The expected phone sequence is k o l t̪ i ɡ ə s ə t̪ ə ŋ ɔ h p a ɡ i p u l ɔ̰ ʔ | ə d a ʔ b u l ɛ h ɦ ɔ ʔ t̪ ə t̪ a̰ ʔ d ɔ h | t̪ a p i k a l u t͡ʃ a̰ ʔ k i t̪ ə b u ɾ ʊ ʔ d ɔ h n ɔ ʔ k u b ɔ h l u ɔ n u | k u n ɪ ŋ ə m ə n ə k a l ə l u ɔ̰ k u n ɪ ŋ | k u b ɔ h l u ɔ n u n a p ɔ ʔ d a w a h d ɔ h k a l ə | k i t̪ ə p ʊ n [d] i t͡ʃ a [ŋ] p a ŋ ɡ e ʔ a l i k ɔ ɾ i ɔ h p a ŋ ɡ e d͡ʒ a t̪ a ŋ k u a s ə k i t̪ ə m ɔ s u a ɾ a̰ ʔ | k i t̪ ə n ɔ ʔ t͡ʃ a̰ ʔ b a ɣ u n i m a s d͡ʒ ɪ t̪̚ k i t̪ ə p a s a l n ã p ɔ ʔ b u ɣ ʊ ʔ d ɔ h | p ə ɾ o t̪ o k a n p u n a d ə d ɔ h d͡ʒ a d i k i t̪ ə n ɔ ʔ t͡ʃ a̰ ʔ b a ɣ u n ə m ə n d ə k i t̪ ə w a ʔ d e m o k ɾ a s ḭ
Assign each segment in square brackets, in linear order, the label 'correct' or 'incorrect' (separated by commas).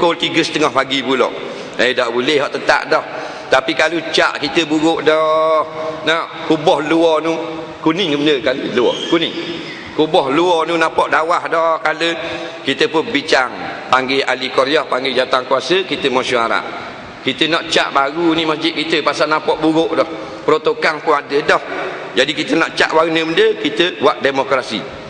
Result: incorrect, correct